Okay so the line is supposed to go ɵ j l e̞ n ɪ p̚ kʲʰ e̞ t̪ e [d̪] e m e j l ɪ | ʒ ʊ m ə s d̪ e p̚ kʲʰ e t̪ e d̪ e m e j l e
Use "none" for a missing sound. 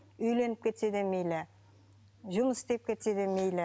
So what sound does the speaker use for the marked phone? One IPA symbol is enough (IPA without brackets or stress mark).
d̪